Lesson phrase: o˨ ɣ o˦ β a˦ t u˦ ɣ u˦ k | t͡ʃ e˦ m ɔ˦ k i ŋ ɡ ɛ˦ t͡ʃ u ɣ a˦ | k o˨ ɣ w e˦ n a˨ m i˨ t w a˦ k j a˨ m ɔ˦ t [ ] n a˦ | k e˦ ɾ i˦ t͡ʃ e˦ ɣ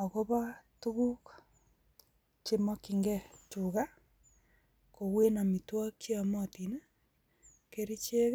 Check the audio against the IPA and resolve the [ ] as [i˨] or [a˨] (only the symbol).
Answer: i˨